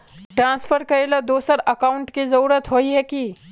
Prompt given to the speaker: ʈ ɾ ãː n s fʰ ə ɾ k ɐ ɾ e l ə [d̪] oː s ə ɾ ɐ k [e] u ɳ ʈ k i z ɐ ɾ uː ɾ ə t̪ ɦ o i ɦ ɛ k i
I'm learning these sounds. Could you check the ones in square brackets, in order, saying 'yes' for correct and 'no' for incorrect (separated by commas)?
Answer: yes, no